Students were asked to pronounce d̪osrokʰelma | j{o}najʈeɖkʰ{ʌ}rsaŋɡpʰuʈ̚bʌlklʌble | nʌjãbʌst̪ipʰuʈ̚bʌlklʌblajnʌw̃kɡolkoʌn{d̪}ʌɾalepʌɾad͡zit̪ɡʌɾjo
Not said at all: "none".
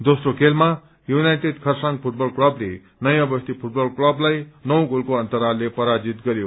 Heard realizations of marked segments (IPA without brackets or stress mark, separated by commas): u, ʌ, t̪